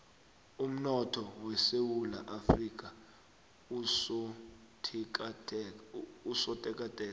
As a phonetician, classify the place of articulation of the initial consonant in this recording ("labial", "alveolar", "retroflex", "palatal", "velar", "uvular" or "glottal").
labial